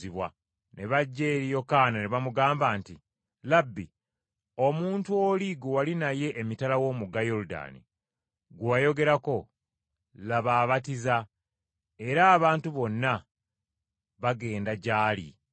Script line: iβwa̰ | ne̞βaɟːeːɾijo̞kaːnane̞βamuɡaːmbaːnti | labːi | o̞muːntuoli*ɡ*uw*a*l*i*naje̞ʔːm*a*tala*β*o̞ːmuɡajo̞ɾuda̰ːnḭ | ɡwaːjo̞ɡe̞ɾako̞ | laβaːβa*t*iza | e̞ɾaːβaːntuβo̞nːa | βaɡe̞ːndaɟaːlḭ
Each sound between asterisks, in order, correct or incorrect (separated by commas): correct, correct, correct, incorrect, incorrect, correct